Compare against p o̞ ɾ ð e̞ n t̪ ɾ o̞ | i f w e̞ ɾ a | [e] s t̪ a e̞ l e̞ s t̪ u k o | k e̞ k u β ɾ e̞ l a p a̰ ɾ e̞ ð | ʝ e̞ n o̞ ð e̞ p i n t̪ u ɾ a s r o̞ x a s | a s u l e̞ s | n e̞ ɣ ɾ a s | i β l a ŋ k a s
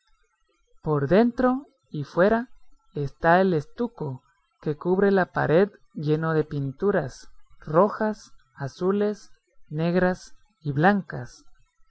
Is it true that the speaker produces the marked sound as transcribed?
yes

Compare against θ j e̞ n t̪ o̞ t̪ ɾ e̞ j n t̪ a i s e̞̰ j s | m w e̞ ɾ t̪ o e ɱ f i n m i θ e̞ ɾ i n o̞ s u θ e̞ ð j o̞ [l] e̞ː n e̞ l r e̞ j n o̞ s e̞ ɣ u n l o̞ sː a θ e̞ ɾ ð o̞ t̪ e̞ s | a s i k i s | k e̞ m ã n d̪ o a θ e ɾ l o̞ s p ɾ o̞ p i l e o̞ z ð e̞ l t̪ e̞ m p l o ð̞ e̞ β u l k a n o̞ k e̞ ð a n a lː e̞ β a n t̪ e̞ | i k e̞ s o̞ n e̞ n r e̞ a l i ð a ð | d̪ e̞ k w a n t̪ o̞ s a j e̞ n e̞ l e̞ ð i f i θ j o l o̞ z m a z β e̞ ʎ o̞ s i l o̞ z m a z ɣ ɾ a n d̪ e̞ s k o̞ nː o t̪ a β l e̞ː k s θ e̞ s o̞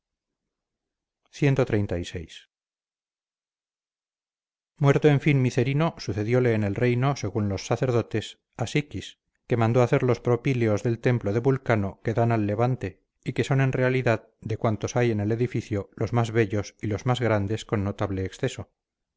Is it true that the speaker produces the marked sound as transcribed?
yes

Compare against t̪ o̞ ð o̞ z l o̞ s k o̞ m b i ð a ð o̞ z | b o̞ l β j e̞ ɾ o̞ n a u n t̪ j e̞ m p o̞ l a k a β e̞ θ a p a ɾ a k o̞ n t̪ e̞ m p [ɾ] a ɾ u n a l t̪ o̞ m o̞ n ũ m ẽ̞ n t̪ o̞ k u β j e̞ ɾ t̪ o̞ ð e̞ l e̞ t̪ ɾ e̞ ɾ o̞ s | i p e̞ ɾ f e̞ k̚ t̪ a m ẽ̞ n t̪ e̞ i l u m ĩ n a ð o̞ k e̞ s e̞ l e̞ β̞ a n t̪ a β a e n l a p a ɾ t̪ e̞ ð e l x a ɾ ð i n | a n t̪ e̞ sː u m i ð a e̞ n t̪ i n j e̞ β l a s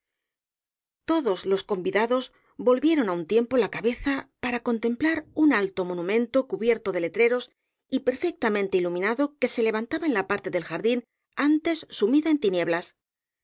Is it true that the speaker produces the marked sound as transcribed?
no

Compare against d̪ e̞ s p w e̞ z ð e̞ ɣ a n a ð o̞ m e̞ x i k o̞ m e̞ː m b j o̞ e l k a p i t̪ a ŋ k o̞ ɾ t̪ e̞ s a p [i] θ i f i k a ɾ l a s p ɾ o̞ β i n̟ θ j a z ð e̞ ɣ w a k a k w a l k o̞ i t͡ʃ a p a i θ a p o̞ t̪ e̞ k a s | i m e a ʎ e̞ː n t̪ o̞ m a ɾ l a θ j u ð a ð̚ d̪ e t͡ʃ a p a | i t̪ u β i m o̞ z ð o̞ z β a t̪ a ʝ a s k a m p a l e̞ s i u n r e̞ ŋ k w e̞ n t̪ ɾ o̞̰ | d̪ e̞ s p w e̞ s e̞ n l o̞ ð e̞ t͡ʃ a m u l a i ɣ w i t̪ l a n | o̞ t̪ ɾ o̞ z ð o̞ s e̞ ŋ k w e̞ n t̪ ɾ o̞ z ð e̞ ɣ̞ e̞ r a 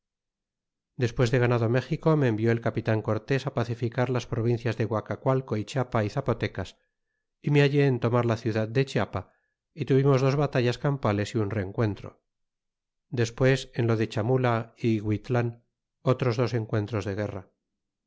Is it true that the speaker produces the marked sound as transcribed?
no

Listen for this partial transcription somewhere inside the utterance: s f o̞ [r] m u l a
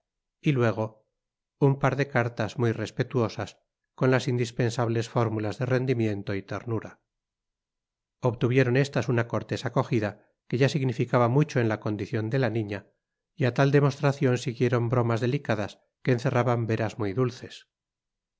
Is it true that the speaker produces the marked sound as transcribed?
no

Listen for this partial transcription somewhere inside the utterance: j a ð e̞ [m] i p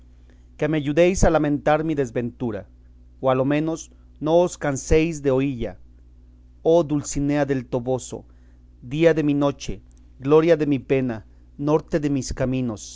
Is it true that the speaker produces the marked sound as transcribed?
yes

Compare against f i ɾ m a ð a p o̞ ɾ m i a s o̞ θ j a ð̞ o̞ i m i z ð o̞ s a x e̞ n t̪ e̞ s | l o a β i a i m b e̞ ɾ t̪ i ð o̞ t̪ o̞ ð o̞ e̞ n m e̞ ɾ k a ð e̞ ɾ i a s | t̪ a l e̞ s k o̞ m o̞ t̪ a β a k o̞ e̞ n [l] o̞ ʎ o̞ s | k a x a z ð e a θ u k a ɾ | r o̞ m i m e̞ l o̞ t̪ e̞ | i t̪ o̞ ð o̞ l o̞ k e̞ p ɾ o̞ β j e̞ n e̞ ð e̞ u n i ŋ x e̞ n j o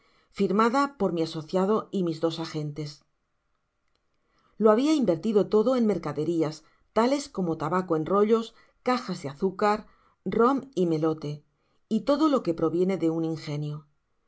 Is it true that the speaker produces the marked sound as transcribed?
no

